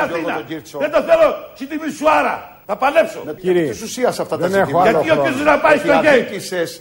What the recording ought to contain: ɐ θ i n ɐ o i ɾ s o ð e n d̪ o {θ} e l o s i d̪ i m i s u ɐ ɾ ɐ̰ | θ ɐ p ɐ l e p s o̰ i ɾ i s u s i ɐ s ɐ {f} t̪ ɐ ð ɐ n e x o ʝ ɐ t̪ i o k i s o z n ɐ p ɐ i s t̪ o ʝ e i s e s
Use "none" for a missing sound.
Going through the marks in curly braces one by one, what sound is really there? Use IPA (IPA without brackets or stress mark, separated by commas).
θ, f